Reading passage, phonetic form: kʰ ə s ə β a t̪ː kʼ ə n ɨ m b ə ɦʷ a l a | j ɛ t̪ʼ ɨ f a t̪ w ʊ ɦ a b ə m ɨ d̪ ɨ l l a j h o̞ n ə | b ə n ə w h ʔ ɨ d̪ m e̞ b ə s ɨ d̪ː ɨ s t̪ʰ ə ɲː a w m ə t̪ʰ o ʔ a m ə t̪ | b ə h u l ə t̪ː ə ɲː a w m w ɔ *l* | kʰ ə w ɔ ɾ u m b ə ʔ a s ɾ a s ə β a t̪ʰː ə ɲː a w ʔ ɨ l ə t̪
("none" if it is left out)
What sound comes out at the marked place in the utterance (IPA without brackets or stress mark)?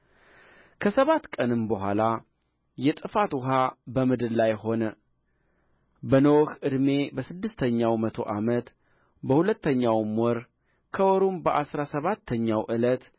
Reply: ɾ